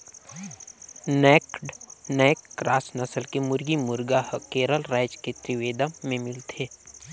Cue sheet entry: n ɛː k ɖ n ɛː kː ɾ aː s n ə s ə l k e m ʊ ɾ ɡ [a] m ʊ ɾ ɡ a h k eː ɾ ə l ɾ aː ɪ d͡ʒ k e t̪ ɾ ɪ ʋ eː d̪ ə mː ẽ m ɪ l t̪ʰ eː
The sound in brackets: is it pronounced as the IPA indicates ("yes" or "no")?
no